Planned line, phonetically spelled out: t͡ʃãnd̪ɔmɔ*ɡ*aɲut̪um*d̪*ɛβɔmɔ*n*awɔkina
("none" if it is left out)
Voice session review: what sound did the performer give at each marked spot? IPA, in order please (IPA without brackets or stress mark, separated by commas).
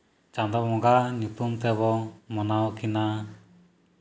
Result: ɡ, t̪, n